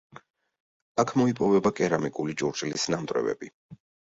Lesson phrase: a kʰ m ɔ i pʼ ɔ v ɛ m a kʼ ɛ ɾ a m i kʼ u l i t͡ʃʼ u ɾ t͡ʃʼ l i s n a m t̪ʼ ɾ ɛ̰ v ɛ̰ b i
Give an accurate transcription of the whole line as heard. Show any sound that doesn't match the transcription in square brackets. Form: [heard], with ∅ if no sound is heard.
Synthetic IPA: a kʰ m ɔ i pʼ ɔ v ɛ [b] a kʼ ɛ ɾ a m i kʼ u l i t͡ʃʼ u ɾ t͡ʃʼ l i s n a m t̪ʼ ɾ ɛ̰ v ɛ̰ b i